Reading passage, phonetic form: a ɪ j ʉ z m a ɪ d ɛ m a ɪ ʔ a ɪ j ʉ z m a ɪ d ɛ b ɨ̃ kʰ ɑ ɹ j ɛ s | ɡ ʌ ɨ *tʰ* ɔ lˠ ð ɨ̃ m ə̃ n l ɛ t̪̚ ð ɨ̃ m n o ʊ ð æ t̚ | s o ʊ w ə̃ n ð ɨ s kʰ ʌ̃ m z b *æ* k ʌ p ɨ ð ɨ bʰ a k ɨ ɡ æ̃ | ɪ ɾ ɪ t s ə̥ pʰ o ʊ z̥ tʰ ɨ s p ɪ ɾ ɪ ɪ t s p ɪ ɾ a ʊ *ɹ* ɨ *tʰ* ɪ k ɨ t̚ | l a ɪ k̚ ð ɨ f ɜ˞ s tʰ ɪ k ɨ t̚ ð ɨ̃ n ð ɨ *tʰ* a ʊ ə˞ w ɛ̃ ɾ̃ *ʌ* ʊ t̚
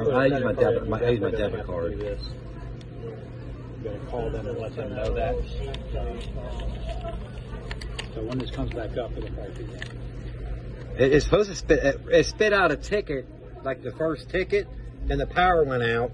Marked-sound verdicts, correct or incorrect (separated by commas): incorrect, correct, incorrect, correct, incorrect, incorrect